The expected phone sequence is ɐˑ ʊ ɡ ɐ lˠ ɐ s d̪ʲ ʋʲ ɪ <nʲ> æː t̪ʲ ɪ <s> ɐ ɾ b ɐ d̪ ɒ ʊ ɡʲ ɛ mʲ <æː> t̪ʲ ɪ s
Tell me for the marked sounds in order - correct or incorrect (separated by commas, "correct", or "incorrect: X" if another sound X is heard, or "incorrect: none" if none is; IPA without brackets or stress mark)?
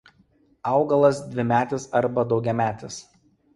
incorrect: mʲ, correct, correct